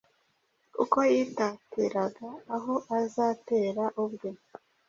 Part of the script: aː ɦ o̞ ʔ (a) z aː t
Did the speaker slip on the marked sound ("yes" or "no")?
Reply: no